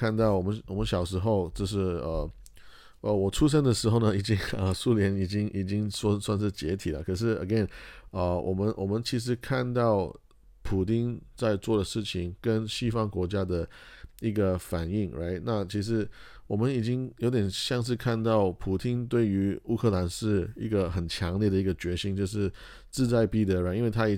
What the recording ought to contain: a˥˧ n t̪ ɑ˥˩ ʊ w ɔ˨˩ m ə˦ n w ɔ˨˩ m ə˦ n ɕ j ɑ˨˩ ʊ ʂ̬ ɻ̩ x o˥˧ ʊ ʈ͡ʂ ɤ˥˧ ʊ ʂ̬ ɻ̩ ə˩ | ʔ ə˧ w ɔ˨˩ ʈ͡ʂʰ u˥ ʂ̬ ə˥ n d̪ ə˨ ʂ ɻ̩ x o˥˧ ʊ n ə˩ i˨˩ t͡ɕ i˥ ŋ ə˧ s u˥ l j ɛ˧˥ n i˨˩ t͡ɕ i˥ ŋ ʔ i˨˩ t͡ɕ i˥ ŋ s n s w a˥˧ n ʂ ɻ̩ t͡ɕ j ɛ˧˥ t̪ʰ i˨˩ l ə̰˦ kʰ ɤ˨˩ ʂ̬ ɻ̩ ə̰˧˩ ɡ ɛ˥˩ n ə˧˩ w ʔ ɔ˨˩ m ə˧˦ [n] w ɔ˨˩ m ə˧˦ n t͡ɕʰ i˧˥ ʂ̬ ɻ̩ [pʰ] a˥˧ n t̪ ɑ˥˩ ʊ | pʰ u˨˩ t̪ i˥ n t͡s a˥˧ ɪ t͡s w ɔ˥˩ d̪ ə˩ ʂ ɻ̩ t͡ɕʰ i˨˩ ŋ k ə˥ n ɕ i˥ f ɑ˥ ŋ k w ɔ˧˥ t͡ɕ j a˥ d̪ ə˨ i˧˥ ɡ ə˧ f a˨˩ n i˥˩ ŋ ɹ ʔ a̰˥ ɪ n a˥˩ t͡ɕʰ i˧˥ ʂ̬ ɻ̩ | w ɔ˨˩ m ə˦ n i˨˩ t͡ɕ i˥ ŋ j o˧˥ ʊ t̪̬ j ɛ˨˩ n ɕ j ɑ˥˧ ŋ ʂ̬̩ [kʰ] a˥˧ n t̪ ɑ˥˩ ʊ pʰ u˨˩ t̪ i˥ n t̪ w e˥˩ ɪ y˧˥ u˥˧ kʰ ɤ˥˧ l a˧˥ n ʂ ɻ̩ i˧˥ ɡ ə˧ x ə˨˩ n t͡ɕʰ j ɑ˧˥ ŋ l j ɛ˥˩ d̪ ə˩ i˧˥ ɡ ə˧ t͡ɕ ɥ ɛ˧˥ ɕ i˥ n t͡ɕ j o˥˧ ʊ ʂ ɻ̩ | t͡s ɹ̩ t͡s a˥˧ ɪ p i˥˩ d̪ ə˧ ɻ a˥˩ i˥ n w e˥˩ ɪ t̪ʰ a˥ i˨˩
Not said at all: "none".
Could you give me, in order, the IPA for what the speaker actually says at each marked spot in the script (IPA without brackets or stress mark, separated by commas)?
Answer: n, kʰ, kʰ